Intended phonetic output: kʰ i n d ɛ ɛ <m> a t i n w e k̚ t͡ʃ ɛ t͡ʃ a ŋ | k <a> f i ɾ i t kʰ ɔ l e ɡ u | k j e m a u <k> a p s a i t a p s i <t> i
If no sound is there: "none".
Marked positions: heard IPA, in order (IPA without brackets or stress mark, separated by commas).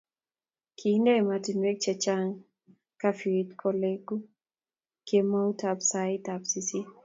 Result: m, a, t, s